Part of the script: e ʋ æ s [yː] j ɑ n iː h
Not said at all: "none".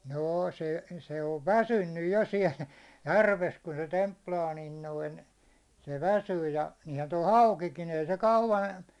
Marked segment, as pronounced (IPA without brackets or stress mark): yː